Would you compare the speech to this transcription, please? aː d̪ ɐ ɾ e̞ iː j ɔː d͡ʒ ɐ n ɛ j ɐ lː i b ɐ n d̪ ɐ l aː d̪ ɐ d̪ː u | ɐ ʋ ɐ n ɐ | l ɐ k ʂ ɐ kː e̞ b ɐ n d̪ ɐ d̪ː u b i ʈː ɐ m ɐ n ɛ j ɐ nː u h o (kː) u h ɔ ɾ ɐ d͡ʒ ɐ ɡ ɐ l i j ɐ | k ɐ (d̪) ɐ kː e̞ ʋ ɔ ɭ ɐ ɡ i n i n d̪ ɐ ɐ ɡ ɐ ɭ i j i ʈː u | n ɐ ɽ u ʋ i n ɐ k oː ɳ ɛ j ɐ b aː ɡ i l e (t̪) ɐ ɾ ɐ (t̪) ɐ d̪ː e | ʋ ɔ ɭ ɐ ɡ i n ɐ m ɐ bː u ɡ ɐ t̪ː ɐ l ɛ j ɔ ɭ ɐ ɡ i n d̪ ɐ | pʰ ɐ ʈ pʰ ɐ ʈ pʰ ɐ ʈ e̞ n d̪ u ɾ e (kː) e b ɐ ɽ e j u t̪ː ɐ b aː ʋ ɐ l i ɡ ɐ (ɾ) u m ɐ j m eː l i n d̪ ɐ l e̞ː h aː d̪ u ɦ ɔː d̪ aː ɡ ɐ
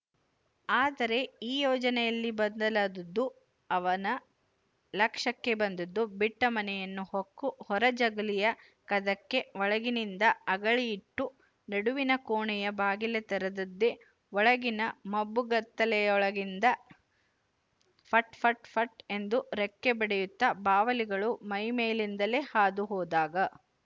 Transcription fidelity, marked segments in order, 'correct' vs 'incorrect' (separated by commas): correct, correct, correct, incorrect, correct, incorrect